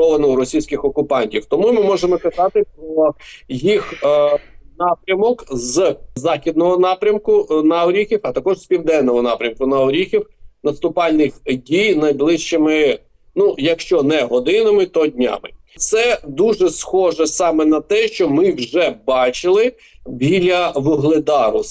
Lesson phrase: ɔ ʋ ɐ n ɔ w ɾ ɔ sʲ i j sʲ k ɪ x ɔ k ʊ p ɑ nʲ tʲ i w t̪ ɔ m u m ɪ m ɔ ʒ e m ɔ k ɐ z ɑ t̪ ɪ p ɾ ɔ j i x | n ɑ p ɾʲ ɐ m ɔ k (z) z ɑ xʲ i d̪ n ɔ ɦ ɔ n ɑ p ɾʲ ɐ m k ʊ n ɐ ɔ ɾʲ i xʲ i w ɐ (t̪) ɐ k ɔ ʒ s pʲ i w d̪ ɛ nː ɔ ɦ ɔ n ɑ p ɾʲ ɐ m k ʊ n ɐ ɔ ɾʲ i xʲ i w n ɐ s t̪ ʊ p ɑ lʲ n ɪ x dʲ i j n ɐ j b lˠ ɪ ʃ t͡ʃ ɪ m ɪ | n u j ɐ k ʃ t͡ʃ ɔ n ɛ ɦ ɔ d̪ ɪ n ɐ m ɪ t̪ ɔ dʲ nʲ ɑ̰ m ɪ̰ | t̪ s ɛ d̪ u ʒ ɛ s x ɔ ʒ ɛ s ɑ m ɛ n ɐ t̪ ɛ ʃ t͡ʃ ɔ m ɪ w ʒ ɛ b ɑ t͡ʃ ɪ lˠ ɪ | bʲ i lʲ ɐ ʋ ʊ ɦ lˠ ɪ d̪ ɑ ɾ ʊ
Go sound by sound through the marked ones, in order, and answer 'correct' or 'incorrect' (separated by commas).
correct, correct